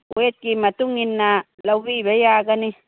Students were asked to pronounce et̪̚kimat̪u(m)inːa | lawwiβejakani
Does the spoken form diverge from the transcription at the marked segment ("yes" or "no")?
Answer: yes